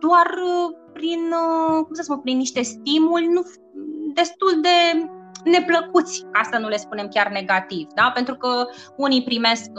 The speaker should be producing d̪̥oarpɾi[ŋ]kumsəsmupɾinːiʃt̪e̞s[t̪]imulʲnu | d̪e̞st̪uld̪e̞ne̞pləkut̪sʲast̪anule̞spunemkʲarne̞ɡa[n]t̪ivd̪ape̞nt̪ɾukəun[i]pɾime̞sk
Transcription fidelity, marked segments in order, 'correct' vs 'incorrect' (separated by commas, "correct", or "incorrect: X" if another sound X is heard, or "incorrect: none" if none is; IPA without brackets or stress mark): incorrect: n, correct, incorrect: none, correct